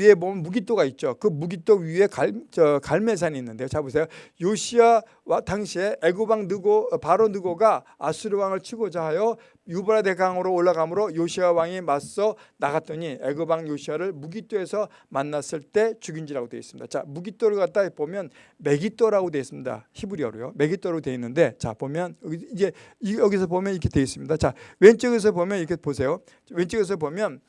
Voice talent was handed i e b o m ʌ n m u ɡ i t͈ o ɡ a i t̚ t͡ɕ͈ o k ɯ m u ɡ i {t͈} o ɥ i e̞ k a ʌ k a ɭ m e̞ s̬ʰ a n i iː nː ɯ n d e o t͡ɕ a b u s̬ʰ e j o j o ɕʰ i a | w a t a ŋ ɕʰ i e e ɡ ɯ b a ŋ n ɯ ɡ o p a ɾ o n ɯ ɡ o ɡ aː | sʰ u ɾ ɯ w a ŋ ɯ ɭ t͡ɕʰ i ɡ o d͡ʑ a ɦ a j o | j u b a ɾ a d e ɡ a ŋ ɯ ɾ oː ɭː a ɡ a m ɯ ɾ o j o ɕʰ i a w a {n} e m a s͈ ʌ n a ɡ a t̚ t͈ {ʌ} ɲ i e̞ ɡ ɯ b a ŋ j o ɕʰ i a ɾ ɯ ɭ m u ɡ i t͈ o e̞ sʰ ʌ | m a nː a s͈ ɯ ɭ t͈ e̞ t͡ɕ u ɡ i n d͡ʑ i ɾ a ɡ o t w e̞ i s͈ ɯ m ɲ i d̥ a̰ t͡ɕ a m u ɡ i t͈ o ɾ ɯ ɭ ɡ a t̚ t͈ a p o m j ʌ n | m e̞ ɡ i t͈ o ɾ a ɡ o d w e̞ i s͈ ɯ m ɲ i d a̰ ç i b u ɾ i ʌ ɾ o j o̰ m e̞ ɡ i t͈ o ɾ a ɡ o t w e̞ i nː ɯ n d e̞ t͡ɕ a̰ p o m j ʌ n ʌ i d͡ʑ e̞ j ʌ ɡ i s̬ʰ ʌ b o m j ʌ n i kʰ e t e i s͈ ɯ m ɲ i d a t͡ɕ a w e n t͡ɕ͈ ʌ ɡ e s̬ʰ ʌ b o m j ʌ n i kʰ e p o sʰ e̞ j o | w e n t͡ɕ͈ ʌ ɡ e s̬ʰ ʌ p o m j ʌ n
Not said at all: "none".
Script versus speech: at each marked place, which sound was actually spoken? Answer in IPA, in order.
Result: t͈, ŋ, ʌ

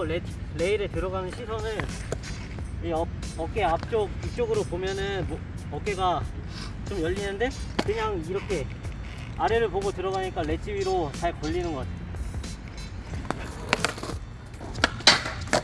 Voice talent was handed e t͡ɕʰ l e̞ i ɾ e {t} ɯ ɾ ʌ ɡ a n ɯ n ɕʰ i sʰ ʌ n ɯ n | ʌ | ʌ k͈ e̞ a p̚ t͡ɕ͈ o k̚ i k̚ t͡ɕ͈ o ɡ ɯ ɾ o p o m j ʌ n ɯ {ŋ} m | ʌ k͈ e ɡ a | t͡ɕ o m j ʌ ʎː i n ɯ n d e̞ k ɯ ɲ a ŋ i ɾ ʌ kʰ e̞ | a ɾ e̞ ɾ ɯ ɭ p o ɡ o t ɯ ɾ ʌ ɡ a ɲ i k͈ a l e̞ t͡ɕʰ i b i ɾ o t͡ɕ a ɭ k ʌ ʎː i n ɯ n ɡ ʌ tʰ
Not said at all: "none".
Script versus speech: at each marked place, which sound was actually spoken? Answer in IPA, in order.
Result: t, n

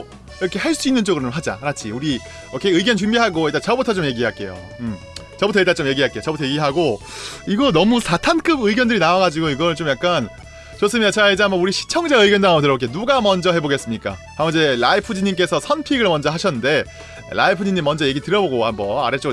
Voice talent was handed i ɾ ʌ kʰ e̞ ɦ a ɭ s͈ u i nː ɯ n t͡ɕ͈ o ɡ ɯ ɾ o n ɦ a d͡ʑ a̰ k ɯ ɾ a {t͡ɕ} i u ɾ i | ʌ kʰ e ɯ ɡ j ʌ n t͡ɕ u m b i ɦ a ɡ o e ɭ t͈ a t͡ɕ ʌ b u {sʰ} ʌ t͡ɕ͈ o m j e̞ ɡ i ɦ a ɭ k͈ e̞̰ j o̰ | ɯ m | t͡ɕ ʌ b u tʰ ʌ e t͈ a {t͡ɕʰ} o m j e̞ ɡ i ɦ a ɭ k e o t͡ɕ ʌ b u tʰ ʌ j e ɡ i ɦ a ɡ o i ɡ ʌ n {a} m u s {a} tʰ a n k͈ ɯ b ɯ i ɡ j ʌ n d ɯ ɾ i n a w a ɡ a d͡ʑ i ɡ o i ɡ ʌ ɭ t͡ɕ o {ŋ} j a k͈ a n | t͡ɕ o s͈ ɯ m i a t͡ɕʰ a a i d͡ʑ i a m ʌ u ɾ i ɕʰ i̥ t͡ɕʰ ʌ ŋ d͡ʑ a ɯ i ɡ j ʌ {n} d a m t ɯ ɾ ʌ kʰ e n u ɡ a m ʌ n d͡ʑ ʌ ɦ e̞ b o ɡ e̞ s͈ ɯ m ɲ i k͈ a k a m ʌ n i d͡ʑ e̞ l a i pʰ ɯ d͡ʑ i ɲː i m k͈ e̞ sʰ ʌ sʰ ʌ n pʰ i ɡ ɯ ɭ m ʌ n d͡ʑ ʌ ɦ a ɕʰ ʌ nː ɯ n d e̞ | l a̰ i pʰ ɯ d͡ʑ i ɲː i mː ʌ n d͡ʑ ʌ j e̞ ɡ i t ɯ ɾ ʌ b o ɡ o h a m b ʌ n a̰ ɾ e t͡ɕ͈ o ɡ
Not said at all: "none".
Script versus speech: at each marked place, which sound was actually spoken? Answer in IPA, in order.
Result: t͡ɕʰ, tʰ, t͡ɕ, ʌ, a, m, n

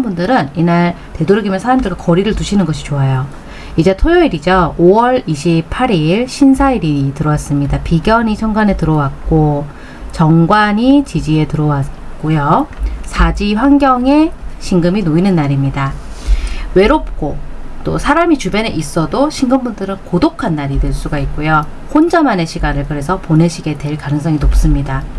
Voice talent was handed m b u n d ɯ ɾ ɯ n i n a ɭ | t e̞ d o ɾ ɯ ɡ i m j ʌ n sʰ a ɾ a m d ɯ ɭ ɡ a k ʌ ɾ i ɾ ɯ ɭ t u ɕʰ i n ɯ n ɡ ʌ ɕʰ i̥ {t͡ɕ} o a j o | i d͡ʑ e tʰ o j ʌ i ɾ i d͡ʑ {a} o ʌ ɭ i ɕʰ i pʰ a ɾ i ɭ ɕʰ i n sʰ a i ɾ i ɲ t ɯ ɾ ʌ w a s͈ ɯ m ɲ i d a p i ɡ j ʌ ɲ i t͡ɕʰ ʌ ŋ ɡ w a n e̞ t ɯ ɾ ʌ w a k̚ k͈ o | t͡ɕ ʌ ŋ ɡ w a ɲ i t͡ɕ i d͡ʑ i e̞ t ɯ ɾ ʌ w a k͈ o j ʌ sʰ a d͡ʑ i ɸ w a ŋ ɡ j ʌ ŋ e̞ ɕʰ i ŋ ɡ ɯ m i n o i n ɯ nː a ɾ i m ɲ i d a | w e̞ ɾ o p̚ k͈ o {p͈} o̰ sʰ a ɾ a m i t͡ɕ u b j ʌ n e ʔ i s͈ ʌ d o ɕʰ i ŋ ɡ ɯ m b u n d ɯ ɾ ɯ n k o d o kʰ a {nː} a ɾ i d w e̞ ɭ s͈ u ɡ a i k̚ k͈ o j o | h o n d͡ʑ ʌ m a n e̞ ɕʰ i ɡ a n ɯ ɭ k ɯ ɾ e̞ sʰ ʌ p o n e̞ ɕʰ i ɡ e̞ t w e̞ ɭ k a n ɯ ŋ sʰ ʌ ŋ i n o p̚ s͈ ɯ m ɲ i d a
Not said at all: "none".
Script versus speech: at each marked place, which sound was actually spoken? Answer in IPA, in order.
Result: t͡ɕ, ʌ, t͈, nː

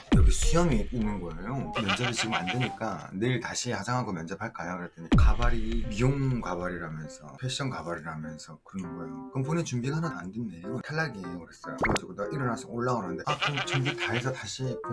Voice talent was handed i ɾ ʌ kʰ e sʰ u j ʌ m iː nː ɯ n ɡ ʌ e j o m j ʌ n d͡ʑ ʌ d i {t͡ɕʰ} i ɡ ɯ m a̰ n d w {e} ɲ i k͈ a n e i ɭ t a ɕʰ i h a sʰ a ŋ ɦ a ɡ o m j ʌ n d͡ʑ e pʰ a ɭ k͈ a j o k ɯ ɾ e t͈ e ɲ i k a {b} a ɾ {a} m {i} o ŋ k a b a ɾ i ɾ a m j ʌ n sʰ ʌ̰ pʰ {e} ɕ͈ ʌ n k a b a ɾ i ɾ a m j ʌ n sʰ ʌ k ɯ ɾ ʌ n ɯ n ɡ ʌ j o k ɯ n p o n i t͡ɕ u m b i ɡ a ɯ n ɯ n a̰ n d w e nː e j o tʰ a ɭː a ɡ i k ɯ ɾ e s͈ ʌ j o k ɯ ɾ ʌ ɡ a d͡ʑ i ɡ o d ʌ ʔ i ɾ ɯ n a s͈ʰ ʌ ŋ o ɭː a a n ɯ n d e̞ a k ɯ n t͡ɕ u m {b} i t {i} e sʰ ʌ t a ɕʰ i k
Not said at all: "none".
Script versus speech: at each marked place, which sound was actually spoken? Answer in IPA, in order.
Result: t͡ɕ, e, b, i, i, e, b, a

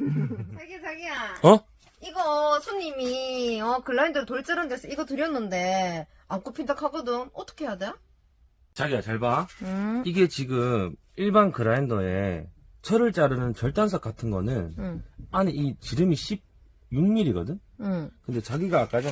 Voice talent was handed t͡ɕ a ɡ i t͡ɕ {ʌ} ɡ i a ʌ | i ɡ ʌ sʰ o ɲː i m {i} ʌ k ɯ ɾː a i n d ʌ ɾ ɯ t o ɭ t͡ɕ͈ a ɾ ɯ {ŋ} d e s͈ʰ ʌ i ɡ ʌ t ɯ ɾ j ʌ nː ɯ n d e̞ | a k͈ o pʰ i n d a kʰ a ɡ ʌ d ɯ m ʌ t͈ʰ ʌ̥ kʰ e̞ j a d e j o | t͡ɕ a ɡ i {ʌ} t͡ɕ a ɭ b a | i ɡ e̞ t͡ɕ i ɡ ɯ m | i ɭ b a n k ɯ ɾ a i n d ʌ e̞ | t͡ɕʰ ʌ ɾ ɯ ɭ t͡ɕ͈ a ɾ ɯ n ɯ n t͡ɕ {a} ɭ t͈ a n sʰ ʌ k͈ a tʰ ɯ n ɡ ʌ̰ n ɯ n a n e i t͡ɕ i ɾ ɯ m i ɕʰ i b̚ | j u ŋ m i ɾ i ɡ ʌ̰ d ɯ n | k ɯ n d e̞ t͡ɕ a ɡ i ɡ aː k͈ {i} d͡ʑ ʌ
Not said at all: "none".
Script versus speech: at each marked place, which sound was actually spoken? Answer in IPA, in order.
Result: a, i, n, a, ʌ, a

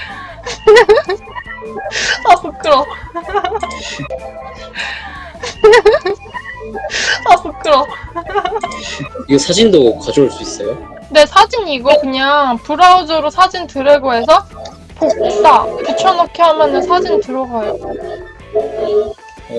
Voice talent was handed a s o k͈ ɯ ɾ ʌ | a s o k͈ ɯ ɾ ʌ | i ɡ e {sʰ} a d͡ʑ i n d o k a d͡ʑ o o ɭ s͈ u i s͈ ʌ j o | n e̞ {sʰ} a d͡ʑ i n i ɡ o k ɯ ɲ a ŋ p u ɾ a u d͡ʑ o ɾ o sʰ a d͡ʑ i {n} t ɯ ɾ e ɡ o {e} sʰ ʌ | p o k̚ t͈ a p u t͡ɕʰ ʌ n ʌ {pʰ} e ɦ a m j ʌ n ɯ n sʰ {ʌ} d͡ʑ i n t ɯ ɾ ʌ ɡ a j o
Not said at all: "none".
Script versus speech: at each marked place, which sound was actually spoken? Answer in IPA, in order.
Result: sʰ, sʰ, n, e, kʰ, a

